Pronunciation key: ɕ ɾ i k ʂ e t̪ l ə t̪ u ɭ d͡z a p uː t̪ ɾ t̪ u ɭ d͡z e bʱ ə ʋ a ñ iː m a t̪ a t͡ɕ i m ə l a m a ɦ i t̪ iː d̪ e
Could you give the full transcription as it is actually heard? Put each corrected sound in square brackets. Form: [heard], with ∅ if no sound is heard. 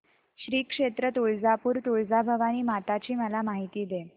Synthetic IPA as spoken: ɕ ɾ [iː] k ʂ e t̪ [ɾ] ə t̪ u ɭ d͡z a p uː [∅] ɾ t̪ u ɭ d͡z [a] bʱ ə ʋ a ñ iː m a t̪ a t͡ɕ [iː] m ə l a m a ɦ i t̪ iː d̪ e